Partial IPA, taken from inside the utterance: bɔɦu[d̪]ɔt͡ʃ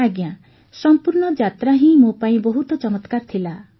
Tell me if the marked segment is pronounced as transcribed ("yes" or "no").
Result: no